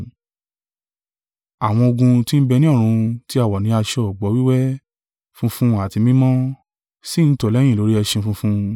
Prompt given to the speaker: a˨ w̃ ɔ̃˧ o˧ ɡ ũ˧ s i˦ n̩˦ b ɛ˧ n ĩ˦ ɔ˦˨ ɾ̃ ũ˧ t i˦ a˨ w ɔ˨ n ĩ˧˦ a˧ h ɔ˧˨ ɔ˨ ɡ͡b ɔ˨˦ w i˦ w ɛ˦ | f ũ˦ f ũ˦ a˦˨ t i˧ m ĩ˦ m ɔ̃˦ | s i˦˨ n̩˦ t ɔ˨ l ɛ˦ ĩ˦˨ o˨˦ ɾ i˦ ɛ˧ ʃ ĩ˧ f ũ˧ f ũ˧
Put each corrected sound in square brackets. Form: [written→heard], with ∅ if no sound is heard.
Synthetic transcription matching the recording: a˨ w̃ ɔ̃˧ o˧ ɡ ũ˧ [s→t] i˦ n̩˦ b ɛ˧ n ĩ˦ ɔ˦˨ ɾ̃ ũ˧ t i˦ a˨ w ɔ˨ n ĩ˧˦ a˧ [h→ʃ] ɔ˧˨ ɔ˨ ɡ͡b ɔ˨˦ w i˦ w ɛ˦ | f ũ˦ f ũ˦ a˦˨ t i˧ m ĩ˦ m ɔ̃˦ | s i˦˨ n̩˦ t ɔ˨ l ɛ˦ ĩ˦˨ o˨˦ ɾ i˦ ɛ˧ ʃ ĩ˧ f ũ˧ f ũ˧

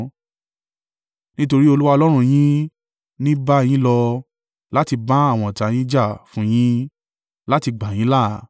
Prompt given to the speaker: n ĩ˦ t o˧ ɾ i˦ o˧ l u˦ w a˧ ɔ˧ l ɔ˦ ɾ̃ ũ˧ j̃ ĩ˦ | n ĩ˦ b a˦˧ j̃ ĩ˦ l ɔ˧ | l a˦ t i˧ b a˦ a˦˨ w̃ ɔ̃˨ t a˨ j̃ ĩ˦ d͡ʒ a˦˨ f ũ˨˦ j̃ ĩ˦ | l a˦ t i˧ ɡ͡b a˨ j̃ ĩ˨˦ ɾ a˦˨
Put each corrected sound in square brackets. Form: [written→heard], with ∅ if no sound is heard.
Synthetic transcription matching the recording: n ĩ˦ t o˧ ɾ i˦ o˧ l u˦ w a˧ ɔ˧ l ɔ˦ ɾ̃ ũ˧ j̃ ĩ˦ | n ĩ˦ b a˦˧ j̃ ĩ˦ l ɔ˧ | l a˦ t i˧ b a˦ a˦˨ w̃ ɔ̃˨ t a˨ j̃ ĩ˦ d͡ʒ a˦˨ f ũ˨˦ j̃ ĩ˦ | l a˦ t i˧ ɡ͡b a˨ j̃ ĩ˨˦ [ɾ→l] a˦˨

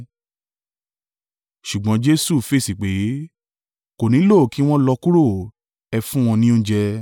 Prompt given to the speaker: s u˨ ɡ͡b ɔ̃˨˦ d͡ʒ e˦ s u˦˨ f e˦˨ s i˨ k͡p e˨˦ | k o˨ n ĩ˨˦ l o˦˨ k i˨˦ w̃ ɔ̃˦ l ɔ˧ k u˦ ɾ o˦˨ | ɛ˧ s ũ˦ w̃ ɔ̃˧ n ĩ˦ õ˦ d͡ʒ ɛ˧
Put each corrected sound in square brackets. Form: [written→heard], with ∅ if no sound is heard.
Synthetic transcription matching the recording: [s→ʃ] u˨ ɡ͡b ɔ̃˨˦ d͡ʒ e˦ s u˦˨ f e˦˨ s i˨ k͡p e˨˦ | k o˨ n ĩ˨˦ l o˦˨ k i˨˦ w̃ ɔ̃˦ l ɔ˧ k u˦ ɾ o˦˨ | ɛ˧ [s→f] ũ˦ w̃ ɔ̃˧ n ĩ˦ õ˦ d͡ʒ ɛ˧

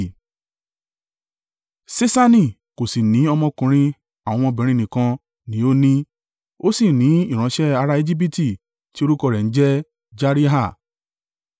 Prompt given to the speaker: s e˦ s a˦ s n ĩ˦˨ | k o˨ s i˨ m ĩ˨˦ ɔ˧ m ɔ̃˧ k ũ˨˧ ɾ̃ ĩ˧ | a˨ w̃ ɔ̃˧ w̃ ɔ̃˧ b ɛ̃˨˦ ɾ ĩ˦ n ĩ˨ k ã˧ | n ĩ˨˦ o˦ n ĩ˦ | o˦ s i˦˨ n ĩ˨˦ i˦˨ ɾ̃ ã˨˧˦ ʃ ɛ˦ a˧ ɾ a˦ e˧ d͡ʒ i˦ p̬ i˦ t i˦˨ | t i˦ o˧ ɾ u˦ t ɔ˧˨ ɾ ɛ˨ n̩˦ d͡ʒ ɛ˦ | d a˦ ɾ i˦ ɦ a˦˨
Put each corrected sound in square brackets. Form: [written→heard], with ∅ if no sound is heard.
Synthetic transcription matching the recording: s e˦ s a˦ [s→∅] n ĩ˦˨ | k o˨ s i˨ [m→n] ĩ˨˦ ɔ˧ m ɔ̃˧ k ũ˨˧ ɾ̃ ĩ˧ | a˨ w̃ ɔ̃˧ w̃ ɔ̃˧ b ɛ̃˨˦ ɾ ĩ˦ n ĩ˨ k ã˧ | n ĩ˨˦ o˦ n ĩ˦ | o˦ s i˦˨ n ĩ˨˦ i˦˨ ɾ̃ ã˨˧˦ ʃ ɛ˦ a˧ ɾ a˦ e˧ d͡ʒ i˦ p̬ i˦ t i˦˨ | t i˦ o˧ ɾ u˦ [t→k] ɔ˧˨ ɾ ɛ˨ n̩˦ d͡ʒ ɛ˦ | [d→d͡ʒ] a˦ ɾ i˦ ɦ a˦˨

